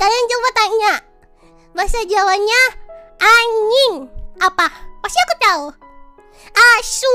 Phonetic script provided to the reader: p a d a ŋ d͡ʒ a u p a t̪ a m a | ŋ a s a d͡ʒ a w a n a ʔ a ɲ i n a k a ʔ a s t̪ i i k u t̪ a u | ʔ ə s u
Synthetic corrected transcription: k a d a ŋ d͡ʒ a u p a t̪ a ɲ a | m a s a d͡ʒ a w a ɲ a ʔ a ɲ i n a p a p a s t̪ i a k u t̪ a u | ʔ a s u